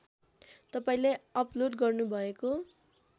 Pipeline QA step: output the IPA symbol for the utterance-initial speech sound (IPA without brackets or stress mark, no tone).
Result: t̪